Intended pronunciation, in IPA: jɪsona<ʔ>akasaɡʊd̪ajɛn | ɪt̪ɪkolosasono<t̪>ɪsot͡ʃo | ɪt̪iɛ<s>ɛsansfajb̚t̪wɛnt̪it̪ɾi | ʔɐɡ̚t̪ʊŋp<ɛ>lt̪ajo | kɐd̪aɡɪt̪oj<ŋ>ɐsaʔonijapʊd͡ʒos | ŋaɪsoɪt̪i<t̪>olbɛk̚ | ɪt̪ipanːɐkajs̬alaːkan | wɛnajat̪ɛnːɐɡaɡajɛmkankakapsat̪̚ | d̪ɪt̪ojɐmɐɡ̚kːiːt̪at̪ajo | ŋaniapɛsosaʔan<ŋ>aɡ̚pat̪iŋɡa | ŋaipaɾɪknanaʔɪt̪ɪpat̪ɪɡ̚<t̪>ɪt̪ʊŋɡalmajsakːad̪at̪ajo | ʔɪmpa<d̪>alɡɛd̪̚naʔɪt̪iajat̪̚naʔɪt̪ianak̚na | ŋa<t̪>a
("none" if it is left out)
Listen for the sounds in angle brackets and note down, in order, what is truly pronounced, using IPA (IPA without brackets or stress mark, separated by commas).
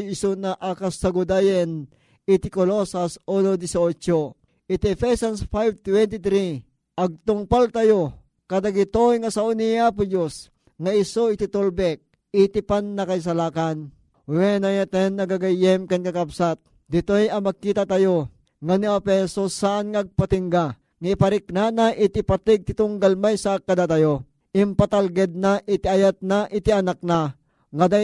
ʔ, d̪, f, a, ŋ, t̪, ŋ, t̪, t̪, d̪